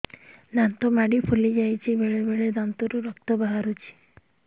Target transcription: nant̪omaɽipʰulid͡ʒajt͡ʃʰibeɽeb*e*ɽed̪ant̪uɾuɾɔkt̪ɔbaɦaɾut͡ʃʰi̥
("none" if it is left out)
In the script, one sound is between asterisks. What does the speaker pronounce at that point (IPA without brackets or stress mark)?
e